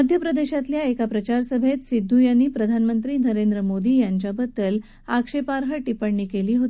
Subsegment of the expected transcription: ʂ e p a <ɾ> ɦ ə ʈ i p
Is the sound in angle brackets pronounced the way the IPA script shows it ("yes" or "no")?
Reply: yes